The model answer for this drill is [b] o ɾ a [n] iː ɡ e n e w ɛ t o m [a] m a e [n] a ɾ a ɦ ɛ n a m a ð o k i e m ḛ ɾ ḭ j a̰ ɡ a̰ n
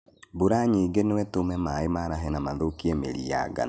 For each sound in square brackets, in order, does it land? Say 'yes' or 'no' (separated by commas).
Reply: yes, no, no, no